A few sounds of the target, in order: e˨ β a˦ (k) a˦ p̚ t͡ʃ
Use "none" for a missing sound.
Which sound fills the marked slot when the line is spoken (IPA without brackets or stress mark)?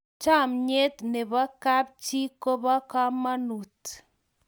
k